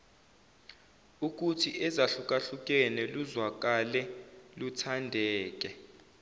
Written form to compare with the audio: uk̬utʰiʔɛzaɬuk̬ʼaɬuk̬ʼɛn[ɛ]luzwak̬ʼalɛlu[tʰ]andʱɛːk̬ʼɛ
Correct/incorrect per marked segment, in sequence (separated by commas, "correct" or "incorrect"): correct, correct